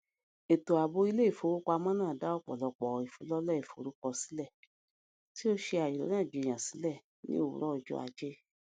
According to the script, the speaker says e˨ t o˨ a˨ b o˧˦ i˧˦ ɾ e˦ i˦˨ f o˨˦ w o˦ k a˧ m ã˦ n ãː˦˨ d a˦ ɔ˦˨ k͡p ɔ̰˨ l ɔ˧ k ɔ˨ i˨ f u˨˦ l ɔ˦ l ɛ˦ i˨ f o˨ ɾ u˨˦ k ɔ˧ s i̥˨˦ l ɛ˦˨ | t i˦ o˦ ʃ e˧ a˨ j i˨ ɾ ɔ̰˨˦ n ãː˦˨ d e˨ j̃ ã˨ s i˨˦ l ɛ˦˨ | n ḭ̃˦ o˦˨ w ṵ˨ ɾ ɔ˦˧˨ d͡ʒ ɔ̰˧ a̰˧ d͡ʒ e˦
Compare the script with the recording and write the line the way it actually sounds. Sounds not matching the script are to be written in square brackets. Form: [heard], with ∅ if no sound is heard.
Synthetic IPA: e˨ t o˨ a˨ b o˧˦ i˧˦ [l] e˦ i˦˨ f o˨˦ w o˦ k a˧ m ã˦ n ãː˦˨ d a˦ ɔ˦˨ k͡p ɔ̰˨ l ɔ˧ [k͡p] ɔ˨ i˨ f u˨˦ l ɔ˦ l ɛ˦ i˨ f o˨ ɾ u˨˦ k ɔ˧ s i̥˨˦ l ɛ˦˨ | t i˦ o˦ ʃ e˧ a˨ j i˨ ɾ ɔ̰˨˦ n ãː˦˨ [d͡ʒ] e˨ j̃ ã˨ s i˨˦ l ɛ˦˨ | n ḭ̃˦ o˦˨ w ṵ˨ ɾ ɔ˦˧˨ d͡ʒ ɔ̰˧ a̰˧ d͡ʒ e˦

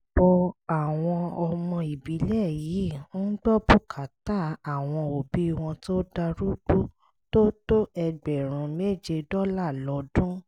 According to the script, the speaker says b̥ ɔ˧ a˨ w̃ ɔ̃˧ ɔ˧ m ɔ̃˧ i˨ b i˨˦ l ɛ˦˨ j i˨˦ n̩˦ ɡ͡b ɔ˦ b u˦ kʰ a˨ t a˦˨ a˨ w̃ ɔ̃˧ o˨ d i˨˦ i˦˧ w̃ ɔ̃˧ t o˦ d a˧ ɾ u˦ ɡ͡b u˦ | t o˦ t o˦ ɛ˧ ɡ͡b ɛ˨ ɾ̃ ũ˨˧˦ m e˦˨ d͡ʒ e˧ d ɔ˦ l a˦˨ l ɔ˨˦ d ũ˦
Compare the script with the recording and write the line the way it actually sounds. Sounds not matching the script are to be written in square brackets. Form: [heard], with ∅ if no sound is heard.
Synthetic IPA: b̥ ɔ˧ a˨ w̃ ɔ̃˧ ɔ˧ m ɔ̃˧ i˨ b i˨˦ l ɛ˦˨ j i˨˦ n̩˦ ɡ͡b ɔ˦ b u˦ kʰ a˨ t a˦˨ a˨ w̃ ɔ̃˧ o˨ [b] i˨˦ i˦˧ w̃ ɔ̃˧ t o˦ d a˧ ɾ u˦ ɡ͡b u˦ | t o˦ t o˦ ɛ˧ ɡ͡b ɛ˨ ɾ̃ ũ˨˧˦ m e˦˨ d͡ʒ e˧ d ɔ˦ l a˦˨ l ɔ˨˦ d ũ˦

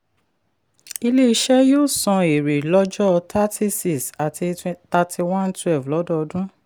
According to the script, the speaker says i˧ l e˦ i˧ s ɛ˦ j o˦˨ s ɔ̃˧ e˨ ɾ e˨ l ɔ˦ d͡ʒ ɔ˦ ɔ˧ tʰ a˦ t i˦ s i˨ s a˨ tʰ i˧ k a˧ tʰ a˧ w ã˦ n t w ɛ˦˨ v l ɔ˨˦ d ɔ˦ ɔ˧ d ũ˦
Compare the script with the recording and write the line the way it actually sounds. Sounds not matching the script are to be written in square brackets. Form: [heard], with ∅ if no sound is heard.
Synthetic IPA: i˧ l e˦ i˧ [ʃ] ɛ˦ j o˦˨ s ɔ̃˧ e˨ ɾ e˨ l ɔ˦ d͡ʒ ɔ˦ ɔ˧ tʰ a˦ t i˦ s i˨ s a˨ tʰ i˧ [t] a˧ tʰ [i˧] w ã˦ n t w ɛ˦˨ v l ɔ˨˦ d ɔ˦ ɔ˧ d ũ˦

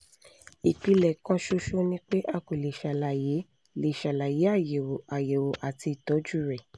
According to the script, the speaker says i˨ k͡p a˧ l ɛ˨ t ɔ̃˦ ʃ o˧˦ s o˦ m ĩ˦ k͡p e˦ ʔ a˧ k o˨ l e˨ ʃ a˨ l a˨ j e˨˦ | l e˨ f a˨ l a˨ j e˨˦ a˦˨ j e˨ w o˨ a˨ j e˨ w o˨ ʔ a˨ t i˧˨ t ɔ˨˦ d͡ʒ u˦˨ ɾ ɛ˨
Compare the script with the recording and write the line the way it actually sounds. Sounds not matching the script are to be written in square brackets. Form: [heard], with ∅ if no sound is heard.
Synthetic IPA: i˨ k͡p [i˧] l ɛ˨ [k] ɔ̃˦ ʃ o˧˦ [ʃ] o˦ [n] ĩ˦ k͡p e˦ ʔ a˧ k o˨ l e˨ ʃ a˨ l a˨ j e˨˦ | l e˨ [ʃ] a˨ l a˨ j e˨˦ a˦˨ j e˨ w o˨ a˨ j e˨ w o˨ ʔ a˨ t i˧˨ t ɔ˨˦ d͡ʒ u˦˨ ɾ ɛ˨

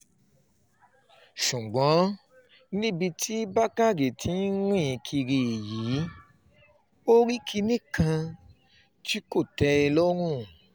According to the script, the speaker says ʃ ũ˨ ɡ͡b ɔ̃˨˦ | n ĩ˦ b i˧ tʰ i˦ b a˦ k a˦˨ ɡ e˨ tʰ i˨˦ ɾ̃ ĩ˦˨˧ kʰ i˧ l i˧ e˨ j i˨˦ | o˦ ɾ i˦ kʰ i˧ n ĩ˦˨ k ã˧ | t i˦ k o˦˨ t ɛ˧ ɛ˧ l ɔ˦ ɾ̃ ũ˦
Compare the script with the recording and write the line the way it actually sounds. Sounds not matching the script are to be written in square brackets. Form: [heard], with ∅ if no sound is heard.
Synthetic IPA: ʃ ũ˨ ɡ͡b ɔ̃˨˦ | n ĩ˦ b i˧ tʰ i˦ b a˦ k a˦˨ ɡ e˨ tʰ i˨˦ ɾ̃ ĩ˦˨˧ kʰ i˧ [ɾ] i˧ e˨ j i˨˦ | o˦ ɾ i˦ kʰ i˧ n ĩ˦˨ k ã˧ | t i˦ k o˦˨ t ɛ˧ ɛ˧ l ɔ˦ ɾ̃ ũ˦

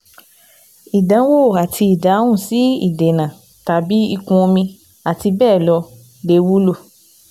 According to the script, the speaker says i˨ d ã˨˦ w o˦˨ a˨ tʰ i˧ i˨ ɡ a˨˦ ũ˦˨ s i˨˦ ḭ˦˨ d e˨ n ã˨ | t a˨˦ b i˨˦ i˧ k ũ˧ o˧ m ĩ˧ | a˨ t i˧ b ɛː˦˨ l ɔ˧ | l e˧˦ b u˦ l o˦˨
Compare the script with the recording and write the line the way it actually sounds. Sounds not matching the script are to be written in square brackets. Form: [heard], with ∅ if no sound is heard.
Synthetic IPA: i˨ d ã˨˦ w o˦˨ a˨ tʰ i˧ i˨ [d] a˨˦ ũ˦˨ s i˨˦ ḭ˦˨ d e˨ n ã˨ | t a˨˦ b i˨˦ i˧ k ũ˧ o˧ m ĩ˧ | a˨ t i˧ b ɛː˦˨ l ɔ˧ | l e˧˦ [w] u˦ l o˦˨

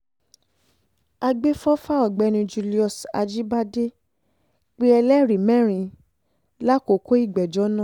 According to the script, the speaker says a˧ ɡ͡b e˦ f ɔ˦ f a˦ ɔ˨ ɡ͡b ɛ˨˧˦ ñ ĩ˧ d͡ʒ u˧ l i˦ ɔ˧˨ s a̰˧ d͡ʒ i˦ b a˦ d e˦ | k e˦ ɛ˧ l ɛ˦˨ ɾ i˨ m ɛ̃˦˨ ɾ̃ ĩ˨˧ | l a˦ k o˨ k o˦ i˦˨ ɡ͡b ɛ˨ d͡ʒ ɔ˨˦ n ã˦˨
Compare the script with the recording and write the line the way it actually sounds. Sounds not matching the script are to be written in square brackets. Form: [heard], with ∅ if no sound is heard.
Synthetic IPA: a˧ ɡ͡b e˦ f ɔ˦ f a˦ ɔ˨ ɡ͡b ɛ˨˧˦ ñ ĩ˧ d͡ʒ u˧ l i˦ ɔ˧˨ s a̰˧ d͡ʒ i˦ b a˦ d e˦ | [k͡p] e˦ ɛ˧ l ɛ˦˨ ɾ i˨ m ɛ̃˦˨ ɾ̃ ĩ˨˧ | l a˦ k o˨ k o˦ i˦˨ ɡ͡b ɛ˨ d͡ʒ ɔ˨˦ n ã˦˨

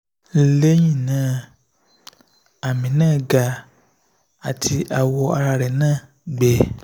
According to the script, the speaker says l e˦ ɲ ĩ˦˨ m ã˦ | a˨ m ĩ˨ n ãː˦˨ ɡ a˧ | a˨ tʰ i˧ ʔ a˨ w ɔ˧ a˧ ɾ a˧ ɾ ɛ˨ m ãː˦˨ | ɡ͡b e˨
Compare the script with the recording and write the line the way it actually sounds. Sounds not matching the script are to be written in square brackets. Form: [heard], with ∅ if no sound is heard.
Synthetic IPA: l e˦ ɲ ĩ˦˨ [n] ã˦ | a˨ m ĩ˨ n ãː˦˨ ɡ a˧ | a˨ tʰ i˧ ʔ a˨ w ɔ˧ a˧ ɾ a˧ ɾ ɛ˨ [n] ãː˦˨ | ɡ͡b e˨

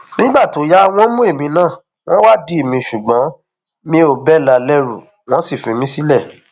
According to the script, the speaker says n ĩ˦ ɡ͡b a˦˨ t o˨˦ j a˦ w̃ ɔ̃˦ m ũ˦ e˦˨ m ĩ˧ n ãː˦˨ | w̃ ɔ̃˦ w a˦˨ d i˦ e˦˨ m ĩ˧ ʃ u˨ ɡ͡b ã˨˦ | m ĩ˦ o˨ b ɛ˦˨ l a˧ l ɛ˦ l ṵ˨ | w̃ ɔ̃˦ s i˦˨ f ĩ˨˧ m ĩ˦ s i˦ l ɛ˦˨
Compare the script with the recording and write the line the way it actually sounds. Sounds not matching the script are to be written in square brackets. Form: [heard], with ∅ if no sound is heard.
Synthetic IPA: n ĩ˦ ɡ͡b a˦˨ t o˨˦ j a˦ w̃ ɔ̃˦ m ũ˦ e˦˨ m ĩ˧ n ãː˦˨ | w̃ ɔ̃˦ w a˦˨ d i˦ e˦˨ m ĩ˧ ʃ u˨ ɡ͡b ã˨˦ | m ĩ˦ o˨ b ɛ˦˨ l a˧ l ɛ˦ [ɾ] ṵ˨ | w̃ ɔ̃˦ s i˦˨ f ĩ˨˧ m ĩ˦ s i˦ l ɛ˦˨

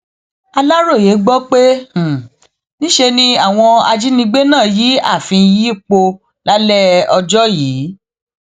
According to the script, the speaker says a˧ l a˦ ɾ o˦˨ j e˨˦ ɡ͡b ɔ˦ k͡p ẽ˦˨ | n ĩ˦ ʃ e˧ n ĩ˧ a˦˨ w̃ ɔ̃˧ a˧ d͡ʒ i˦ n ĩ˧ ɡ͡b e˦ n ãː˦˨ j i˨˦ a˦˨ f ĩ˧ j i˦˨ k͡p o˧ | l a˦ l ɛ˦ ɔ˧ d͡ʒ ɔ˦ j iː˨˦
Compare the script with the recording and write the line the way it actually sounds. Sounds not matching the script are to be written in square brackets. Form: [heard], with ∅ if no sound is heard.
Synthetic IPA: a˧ l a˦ ɾ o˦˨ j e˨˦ ɡ͡b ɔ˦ k͡p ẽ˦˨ | n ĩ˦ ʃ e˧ n ĩ˧ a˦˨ w̃ ɔ̃˧ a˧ d͡ʒ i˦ n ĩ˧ ɡ͡b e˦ n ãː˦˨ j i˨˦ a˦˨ f ĩ˧ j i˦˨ k͡p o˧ | l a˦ l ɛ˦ ɔ˧ d͡ʒ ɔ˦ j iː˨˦

